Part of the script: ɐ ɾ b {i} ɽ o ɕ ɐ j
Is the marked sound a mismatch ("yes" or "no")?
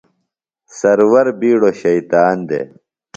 yes